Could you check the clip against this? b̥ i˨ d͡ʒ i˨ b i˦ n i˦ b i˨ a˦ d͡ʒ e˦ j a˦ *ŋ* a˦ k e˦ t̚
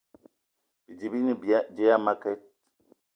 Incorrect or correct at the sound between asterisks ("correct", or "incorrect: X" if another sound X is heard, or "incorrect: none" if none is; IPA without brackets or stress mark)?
incorrect: m